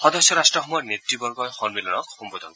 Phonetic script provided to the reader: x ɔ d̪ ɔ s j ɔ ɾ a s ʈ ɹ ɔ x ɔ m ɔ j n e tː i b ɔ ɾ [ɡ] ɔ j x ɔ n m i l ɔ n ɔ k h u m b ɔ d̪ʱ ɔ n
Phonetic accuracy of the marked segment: correct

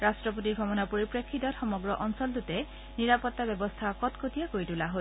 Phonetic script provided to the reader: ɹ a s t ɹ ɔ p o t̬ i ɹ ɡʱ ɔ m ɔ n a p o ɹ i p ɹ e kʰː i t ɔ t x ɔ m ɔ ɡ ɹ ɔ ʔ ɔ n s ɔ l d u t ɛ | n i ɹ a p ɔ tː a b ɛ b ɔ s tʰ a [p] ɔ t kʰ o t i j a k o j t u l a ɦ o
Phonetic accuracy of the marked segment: incorrect: k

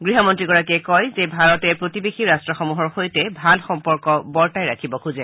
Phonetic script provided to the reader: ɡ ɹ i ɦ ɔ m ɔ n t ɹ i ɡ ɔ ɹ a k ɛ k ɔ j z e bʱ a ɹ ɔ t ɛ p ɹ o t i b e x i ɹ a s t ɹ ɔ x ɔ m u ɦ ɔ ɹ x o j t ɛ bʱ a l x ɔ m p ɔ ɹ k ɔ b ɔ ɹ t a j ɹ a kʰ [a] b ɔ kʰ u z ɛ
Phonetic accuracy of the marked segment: incorrect: i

